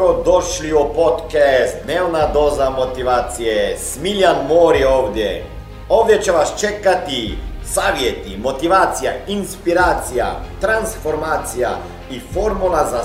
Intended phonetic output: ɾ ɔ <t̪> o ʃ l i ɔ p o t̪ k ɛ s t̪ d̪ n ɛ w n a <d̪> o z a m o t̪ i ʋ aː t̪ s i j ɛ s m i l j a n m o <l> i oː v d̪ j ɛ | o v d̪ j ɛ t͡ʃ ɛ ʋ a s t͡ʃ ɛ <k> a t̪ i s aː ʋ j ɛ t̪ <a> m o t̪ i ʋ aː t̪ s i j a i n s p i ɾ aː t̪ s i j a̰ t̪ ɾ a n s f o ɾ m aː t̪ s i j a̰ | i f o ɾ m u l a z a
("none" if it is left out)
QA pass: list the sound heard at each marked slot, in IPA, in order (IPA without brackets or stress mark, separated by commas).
d̪, d̪, ɾ, k, i